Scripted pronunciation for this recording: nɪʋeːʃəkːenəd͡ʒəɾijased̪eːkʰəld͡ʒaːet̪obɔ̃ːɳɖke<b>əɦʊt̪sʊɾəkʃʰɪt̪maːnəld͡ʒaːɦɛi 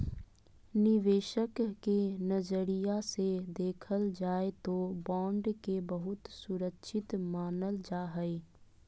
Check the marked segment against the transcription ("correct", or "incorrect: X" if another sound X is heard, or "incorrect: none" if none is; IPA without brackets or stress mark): correct